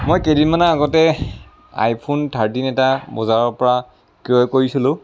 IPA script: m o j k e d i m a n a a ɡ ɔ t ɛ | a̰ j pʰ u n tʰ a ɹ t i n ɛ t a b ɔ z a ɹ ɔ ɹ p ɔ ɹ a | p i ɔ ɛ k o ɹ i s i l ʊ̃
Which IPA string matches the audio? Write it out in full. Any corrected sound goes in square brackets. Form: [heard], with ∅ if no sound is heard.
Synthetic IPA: m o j k e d i m a n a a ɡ ɔ t ɛ | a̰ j pʰ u n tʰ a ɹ t i n ɛ t a b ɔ z a ɹ ɔ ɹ p ɔ ɹ a | [k] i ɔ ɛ k o ɹ i s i l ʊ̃